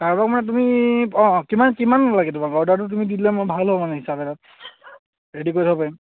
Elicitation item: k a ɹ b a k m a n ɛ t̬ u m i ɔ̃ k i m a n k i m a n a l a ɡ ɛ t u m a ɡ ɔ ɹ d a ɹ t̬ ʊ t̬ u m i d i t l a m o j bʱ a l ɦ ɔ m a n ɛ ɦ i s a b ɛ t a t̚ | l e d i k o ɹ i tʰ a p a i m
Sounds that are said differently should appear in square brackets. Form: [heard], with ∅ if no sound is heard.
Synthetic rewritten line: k a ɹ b a k m a n ɛ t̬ u m i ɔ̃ k i m a n k i m a n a l a ɡ ɛ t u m a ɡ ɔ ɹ d a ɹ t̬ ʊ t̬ u m i d i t l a m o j bʱ a l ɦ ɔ m a n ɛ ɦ i s a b ɛ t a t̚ | [ɹ] e d i k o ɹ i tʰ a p a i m